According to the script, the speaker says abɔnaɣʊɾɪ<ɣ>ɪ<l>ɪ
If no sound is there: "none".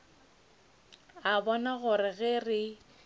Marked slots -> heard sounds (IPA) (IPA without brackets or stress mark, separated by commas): ɣ, r